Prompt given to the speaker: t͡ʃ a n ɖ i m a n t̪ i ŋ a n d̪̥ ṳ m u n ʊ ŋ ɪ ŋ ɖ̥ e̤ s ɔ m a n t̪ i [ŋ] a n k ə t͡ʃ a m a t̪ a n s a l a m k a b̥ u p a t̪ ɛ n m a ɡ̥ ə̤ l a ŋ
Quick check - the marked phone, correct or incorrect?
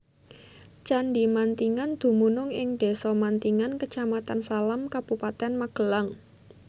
correct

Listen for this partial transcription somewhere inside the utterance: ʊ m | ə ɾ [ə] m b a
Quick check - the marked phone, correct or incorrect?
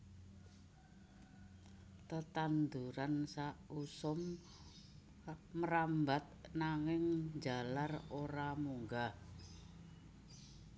incorrect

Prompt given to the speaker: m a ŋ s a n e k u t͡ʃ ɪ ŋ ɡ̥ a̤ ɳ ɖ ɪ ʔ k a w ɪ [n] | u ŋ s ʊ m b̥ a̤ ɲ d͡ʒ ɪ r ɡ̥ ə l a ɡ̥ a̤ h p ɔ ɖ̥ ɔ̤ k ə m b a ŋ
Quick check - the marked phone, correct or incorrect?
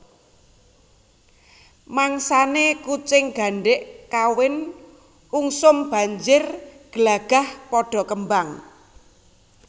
correct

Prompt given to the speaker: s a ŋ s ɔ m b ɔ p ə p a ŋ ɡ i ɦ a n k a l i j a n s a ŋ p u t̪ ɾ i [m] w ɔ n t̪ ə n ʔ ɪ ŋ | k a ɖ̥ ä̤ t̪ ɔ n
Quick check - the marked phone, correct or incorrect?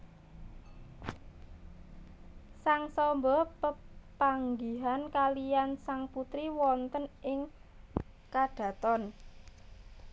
incorrect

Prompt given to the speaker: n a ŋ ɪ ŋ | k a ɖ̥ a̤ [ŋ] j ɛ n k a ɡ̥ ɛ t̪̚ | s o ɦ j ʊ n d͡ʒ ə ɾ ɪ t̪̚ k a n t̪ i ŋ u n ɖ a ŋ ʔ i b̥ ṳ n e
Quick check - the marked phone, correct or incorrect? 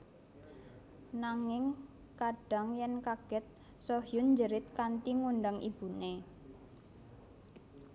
correct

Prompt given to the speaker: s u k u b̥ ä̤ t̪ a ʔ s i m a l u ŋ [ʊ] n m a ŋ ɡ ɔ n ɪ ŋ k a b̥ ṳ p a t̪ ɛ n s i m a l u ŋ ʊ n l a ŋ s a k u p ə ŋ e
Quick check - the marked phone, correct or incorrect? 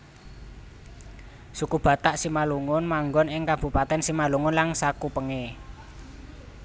correct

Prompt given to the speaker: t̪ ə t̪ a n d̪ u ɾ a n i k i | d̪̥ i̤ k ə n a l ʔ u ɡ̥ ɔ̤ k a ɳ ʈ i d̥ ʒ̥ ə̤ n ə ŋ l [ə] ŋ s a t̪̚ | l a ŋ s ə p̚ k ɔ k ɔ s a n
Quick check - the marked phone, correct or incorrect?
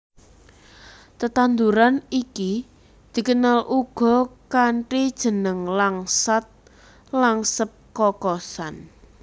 incorrect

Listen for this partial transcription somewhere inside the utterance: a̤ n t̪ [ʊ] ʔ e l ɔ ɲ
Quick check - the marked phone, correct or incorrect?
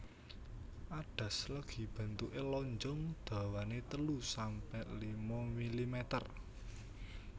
incorrect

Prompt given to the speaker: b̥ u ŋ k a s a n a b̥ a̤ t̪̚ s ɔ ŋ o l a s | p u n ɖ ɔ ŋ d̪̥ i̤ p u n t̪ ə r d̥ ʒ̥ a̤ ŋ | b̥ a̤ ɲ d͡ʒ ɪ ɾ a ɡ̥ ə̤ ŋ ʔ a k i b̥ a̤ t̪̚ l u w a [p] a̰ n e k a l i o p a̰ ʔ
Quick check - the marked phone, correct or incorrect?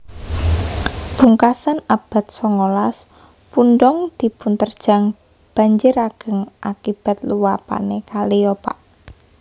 correct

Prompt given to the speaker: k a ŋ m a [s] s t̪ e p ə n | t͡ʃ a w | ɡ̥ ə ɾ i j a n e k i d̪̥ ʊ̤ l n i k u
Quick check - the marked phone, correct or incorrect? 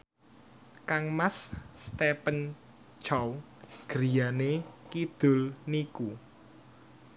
correct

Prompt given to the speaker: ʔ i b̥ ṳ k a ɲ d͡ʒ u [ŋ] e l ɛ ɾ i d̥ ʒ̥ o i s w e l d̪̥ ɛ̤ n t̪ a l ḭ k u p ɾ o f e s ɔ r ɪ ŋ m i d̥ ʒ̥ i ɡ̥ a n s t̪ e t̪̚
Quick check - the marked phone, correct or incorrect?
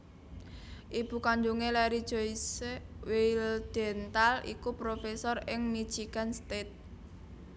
correct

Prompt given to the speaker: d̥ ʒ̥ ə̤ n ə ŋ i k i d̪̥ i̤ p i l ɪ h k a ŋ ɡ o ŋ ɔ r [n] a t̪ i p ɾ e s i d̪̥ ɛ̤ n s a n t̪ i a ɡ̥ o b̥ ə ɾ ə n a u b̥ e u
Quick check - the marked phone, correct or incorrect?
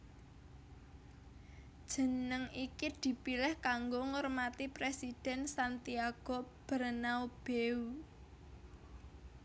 incorrect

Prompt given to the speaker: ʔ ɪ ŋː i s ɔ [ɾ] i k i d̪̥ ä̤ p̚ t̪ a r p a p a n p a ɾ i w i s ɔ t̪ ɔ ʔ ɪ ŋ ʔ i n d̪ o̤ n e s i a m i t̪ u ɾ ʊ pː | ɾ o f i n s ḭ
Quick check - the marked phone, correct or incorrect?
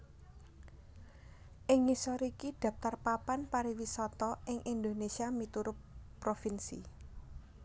correct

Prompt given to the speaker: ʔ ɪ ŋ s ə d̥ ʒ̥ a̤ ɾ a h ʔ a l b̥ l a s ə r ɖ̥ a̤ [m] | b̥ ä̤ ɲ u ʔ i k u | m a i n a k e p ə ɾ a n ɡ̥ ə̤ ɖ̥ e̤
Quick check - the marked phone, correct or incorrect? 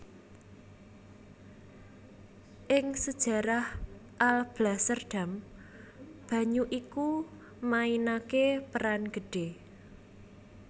correct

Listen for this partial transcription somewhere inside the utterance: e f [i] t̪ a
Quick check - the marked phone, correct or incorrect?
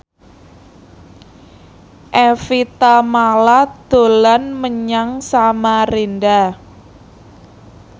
correct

